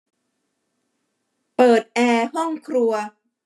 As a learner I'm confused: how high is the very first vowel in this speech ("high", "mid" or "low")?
mid